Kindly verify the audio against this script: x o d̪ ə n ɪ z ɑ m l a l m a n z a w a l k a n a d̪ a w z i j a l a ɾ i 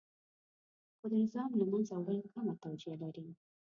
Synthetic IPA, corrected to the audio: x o d̪ ə n ɪ z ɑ m l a m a n z a w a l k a m a t̪ a w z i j a l a ɾ i

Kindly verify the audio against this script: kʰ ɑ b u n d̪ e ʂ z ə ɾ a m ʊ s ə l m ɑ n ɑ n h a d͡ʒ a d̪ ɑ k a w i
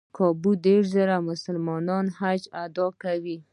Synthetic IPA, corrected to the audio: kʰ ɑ b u d̪ e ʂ z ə ɾ a m ʊ s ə l m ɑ n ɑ n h a d͡ʒ a d̪ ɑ k a w i

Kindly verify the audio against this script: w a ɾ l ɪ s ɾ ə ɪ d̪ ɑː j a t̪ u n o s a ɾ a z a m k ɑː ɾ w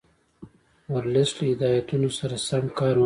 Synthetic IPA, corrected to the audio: w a ɾ l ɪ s l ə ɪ d̪ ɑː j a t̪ u n o s a ɾ a s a m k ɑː ɾ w

